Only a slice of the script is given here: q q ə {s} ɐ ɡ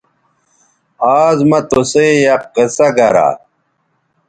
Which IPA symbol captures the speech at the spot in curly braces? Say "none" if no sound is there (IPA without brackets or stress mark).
s